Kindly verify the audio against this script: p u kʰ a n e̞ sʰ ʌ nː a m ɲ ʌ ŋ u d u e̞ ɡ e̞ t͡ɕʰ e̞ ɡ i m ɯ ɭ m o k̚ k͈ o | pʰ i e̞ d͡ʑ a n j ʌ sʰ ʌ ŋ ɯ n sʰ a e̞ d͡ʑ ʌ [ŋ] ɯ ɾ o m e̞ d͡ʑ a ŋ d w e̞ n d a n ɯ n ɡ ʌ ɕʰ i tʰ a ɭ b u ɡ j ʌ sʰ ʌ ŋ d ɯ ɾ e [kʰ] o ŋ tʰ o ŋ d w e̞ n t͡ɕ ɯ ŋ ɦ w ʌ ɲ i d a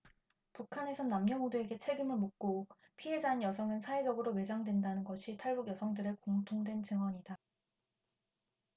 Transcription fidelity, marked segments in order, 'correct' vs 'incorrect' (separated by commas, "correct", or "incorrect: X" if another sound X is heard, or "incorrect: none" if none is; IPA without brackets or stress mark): incorrect: ɡ, incorrect: k